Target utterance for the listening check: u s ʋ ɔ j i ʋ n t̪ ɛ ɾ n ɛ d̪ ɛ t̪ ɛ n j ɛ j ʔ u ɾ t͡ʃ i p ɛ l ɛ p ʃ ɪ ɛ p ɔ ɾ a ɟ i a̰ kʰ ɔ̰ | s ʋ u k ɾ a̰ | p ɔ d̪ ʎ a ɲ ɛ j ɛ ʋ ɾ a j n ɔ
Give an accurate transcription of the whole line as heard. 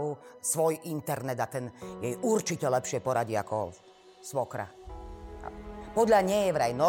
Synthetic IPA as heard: u s ʋ ɔ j i n t̪ ɛ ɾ n ɛ d̪ a t̪ ɛ n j ɛ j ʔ u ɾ t͡ʃ i c ɛ l ɛ p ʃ ɪ ɛ p ɔ ɾ a ɟ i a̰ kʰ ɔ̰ | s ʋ ɔ k ɾ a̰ | p ɔ d̪ ʎ a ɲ ɛ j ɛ ʋ ɾ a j n ɔ